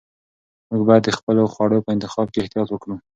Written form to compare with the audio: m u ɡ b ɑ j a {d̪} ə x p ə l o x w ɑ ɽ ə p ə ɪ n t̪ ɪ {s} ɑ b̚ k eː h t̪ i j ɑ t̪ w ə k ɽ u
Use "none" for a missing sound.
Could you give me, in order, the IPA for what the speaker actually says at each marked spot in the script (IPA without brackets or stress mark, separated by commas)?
d̪ː, x